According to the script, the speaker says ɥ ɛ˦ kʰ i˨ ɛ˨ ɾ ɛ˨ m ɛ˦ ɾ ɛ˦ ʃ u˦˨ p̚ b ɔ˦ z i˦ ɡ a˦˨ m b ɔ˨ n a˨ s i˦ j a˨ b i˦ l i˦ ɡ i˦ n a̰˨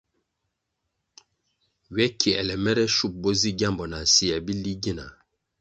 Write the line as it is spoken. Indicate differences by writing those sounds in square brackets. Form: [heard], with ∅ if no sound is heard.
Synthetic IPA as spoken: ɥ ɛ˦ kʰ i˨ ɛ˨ [l] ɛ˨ m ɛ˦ ɾ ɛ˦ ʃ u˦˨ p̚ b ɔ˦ z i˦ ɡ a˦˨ m b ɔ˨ n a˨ s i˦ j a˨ b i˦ l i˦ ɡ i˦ n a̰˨